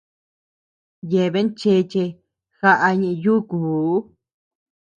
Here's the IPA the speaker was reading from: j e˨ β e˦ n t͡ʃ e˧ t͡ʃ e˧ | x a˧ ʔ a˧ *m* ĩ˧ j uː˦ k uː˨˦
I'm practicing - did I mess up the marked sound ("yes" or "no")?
yes